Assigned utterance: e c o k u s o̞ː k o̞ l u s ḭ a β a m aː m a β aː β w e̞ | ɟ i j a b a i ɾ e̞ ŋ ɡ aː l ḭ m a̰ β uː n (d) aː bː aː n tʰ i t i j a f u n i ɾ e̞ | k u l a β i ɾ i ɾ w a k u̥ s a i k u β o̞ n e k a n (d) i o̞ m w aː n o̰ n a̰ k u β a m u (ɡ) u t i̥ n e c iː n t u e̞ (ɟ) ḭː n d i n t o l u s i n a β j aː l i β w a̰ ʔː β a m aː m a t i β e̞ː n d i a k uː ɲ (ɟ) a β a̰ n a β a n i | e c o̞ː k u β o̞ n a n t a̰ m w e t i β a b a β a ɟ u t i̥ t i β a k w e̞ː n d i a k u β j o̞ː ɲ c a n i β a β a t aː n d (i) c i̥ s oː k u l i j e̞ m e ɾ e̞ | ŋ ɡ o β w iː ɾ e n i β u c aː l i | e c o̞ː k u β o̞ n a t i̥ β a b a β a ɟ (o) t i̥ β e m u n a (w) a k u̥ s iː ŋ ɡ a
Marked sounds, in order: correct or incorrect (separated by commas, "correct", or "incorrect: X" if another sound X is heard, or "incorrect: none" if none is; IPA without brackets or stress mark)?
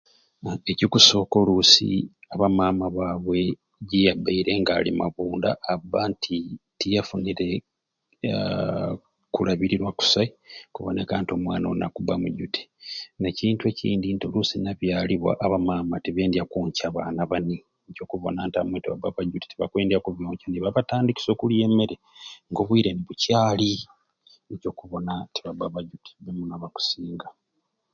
correct, incorrect: t, incorrect: ɟ, incorrect: c, incorrect: c, correct, incorrect: u, incorrect: β